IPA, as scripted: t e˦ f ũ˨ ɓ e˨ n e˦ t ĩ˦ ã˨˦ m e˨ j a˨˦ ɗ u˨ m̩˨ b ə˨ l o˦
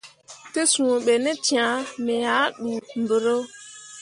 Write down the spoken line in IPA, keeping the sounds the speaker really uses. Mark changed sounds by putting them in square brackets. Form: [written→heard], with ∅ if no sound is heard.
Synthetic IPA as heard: t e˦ [f→s] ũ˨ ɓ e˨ n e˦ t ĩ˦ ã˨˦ m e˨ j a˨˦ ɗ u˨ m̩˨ b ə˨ [l→ɾ] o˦